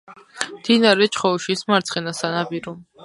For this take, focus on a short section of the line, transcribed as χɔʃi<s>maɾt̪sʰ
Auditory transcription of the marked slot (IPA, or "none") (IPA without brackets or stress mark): s